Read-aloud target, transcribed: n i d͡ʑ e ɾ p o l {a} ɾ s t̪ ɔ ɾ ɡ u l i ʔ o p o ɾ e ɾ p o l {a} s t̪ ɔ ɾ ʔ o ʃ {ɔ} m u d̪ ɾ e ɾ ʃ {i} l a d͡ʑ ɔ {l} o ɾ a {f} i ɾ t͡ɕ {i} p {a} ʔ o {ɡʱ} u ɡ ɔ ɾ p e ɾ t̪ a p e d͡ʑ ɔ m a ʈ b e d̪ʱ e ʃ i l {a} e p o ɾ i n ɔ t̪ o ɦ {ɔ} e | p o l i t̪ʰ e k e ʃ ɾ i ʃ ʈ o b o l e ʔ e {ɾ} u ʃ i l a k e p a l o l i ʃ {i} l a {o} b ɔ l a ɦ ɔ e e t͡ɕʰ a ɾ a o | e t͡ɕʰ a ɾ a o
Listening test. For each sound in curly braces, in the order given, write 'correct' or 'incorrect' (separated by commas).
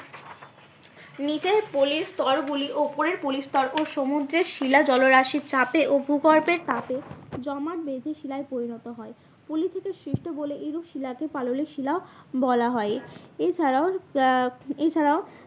incorrect, incorrect, incorrect, correct, correct, incorrect, incorrect, incorrect, incorrect, correct, correct, correct, correct, correct